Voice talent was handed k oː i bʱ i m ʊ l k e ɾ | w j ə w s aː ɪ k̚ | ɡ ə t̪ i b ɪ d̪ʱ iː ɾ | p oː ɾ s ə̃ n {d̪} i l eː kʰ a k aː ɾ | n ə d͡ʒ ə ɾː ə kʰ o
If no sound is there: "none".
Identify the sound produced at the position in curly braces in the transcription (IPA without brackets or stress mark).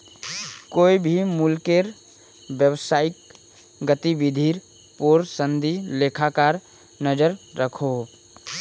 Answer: d̪